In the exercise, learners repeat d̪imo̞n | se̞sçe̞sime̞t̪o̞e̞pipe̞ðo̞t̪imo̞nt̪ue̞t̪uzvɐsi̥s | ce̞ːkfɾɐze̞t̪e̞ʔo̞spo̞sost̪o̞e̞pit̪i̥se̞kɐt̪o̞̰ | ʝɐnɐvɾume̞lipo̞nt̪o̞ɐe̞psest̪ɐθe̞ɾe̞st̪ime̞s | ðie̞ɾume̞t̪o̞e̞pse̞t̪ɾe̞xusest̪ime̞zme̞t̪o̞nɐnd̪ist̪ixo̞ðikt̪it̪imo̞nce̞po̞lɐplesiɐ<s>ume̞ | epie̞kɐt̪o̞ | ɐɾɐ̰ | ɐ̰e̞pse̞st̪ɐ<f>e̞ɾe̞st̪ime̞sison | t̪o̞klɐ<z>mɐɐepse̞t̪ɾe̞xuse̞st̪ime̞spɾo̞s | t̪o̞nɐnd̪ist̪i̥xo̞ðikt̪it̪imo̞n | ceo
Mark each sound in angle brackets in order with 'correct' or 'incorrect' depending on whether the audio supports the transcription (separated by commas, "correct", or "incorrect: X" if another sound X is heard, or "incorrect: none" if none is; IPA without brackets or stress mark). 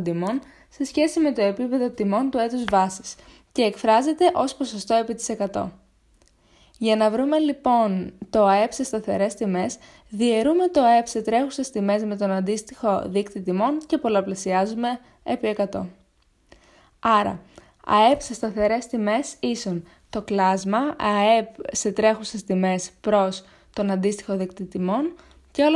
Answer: incorrect: z, incorrect: θ, correct